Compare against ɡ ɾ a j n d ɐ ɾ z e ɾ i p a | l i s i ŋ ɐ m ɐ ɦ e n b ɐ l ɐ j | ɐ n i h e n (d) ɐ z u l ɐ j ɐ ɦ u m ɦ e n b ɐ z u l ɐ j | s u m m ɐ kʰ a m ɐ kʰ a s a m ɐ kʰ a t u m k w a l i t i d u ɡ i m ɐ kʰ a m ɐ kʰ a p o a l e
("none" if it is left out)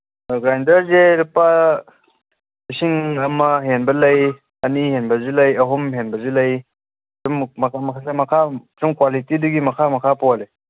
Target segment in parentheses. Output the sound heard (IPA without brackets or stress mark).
b